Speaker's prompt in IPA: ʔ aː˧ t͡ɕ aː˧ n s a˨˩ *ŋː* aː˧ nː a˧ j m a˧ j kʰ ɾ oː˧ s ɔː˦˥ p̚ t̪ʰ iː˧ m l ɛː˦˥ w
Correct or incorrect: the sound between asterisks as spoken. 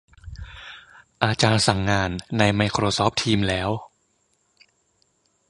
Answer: correct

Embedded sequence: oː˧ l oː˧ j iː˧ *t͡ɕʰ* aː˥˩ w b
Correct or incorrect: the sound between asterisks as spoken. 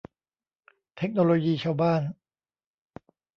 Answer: correct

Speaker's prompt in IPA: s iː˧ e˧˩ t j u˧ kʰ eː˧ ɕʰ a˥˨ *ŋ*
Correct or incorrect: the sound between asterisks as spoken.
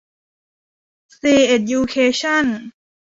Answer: incorrect: n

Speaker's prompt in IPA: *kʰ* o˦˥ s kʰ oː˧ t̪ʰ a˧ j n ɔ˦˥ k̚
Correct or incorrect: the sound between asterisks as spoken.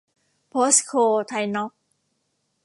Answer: incorrect: pʰ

